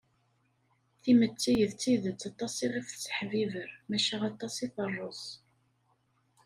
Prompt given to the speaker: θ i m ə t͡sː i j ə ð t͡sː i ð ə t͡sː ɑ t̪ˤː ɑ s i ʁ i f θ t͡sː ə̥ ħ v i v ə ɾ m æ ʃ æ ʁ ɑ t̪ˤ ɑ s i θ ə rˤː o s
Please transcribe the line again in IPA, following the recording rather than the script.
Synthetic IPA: θ i m ə t͡sː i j ə ð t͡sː i ð ə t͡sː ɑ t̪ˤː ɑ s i ʁ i f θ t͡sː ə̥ ħ v i v ə ɾ m æ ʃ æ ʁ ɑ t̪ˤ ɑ s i θ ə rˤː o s